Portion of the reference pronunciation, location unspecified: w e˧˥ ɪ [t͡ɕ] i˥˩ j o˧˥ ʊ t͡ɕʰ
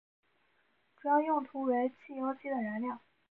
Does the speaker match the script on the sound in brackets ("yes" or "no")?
no